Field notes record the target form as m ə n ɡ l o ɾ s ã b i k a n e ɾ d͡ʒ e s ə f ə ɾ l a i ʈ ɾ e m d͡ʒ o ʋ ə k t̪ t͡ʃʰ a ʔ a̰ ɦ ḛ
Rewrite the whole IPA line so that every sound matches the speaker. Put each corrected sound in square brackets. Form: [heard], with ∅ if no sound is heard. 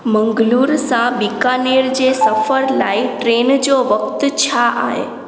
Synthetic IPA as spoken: m ə [ŋ] ɡ l [u] ɾ s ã b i k a n e ɾ d͡ʒ e s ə f ə ɾ l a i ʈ ɾ e [n] d͡ʒ o ʋ ə k t̪ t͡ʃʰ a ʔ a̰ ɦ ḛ